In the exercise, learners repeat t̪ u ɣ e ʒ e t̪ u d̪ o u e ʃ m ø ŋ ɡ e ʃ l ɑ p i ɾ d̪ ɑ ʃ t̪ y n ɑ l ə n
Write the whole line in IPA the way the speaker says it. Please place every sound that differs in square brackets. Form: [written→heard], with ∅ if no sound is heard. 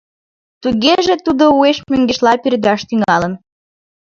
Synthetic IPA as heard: t̪ u ɣ e ʒ e t̪ u d̪ o u e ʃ m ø ŋ ɡ e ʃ l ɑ p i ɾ d̪ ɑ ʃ t̪ y [n→ŋ] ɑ l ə n